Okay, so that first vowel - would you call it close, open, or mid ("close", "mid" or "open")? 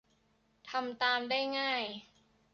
open